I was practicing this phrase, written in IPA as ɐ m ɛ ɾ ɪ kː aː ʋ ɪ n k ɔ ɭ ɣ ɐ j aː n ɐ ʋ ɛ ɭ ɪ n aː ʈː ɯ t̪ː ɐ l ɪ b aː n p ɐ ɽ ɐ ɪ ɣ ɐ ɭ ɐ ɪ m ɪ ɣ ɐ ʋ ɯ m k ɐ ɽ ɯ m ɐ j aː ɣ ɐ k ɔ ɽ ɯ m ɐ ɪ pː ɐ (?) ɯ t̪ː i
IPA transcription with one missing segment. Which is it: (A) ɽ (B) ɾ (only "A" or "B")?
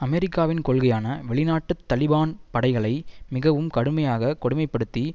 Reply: A